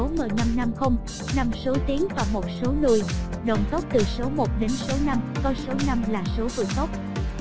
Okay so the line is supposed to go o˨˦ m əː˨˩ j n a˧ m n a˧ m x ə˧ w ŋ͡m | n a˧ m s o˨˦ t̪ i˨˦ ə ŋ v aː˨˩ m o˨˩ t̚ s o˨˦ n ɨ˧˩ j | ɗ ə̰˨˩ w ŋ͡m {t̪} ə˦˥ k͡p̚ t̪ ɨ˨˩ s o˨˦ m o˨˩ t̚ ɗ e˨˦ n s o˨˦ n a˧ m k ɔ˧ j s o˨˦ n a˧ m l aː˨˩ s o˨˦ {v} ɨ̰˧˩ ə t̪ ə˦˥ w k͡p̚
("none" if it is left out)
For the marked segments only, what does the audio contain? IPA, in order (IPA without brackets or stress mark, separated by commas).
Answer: t̪, v